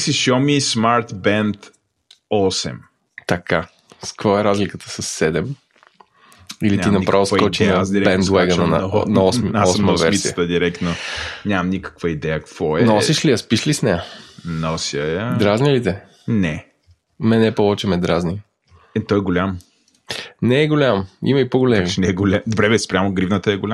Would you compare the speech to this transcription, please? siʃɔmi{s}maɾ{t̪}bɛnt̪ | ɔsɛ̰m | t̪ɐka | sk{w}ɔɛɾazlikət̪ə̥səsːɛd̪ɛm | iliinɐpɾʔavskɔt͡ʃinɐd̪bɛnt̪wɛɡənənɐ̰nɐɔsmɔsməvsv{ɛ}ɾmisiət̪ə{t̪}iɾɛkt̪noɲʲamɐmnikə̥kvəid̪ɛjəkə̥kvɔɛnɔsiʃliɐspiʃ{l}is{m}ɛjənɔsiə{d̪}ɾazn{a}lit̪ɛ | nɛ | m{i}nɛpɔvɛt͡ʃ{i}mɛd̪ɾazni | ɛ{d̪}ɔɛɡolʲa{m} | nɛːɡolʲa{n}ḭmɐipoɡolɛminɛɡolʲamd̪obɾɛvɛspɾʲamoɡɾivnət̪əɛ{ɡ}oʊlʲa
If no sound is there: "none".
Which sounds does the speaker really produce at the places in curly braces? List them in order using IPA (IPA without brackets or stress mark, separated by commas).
s, t̪, v, ɛ, d̪, l, n, d̪, i, ɛ, ɛ, t̪, m, m, ɡ